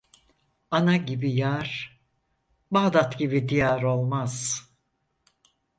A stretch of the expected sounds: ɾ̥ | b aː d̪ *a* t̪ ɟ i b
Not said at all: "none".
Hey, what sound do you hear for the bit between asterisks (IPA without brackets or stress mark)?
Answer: a